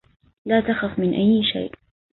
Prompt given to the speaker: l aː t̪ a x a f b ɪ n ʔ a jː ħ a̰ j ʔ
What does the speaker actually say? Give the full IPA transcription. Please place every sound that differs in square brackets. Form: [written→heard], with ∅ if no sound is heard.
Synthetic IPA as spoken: l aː t̪ a x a f [b→m] ɪ n ʔ a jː [ħ→ʃ] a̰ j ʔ